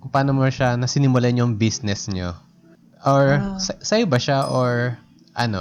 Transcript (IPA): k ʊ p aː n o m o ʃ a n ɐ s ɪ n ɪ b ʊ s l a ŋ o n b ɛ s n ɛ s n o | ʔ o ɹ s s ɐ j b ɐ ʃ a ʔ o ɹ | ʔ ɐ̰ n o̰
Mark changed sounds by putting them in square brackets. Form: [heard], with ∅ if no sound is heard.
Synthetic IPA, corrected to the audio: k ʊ p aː n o m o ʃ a n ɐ s ɪ n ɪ [m] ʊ [∅] l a [ɲ] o [ŋ] b [i] s n ɛ s [ɲ] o | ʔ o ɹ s s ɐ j b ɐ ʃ a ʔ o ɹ | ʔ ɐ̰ n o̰